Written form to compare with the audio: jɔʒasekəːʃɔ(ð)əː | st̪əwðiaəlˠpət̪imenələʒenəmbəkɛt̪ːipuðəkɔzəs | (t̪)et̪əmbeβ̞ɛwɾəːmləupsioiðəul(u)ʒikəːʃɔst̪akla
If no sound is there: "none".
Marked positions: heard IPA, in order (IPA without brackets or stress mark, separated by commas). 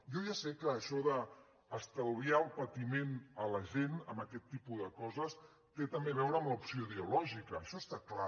ð, t̪, ɔ